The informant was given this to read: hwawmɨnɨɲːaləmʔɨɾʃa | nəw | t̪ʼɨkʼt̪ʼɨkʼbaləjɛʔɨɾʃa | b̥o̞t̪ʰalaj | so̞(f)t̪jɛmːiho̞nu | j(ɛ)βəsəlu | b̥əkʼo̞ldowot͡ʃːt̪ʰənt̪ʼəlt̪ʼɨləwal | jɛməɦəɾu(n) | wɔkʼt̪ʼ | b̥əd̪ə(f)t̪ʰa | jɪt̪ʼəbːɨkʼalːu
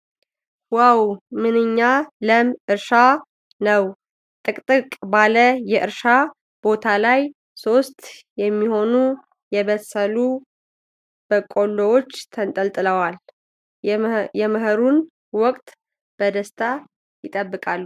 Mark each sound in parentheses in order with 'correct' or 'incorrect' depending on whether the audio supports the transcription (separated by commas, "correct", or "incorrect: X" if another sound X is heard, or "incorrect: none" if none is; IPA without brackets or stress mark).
incorrect: s, correct, correct, incorrect: s